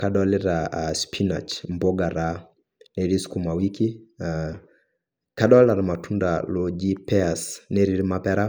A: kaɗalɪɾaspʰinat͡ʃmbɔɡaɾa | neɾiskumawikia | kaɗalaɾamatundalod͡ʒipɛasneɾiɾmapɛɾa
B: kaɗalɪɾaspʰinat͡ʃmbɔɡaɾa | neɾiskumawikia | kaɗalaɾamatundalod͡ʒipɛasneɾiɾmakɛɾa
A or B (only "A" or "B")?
A